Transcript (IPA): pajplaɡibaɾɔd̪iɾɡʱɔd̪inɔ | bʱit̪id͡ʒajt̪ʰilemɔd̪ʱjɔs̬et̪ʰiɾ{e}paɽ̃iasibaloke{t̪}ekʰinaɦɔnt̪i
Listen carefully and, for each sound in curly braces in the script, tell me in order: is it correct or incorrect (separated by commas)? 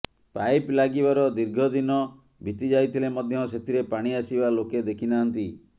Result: correct, incorrect